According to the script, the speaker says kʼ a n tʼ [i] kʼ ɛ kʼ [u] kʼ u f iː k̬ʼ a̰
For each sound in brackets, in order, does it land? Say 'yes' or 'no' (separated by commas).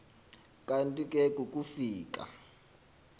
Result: yes, yes